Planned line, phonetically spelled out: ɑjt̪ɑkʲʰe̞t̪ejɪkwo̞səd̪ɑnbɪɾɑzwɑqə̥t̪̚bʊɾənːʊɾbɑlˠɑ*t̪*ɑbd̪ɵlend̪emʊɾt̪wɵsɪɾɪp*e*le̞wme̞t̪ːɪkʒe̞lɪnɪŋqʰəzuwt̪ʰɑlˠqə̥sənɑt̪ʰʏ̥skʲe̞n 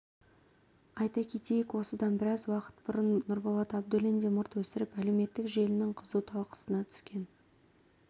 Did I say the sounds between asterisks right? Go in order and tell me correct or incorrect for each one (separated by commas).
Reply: correct, incorrect